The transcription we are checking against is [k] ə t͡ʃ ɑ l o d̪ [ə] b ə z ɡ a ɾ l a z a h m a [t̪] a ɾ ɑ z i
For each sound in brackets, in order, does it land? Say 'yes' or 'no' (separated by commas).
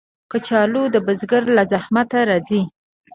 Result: yes, yes, yes